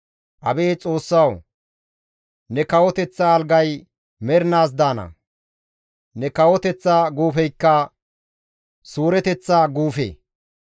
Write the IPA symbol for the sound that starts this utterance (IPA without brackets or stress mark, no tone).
ʔ